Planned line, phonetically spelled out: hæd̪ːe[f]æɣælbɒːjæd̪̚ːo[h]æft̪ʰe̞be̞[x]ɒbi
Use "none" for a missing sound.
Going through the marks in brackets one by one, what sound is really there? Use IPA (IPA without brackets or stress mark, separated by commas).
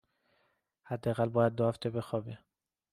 none, h, x